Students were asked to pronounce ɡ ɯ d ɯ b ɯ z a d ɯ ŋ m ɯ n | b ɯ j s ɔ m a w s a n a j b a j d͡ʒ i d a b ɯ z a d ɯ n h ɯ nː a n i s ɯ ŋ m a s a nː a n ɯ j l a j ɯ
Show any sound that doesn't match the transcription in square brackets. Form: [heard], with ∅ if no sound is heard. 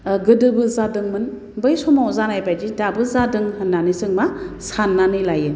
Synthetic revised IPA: ɡ ɯ d ɯ b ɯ z a d ɯ ŋ m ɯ n | b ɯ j s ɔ m a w [z] a n a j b a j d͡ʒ i d a b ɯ z a d ɯ [ŋ] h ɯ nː a n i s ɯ ŋ m a s a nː a n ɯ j l a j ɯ